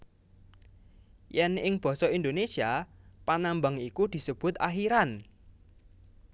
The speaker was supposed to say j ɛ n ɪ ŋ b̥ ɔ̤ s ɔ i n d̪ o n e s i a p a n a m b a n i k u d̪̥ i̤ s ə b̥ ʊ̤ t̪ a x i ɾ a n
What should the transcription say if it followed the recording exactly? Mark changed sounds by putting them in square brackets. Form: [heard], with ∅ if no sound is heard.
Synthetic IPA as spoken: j ɛ n ɪ ŋ b̥ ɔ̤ s ɔ i n d̪ o n e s i a p a n a m b a [ŋ] i k u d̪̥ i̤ s ə b̥ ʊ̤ t̪ a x i ɾ a n